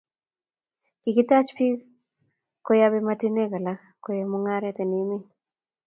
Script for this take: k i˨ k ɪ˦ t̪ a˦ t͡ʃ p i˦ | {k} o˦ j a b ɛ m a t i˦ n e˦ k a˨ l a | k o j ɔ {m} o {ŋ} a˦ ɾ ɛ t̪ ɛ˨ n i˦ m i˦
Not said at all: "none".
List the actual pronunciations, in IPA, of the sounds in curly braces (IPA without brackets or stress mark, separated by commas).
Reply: k, m, ŋ